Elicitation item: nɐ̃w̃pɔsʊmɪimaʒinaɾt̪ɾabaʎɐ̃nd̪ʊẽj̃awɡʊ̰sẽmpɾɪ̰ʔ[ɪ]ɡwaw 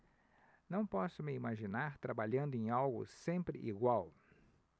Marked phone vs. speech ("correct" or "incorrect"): incorrect